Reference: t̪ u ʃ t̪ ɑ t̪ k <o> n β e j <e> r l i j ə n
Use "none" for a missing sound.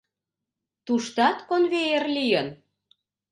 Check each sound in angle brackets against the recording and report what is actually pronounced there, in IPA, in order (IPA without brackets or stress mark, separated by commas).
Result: o, e